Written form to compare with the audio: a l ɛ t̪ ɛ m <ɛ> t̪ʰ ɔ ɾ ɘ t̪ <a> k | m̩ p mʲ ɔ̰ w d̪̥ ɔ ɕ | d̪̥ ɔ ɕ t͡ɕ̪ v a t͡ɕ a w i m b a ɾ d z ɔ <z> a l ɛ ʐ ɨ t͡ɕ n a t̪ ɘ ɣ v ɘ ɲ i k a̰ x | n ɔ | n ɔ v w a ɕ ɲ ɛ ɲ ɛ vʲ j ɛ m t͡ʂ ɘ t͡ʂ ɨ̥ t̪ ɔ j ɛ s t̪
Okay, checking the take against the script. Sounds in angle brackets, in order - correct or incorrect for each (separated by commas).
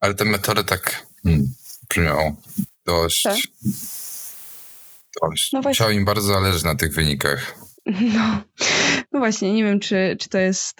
correct, correct, correct